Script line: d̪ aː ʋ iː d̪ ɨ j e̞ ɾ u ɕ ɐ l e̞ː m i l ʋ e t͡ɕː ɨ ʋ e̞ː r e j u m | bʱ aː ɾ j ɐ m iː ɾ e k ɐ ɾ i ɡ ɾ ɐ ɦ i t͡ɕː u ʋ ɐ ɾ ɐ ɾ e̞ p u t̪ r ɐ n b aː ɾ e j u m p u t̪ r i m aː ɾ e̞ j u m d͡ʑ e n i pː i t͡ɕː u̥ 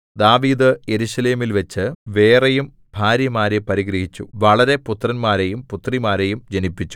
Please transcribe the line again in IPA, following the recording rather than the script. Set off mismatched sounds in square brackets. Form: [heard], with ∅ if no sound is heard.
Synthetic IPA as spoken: d̪ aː ʋ iː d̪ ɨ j e̞ ɾ u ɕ ɐ l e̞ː m i l ʋ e t͡ɕː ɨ ʋ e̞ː r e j u m | bʱ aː ɾ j ɐ m [aː] ɾ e [p] ɐ ɾ i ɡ ɾ ɐ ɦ i t͡ɕː u ʋ ɐ [ɭ] ɐ ɾ e̞ p u t̪ r ɐ n [m] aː ɾ e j u m p u t̪ r i m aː ɾ e̞ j u m d͡ʑ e n i pː i t͡ɕː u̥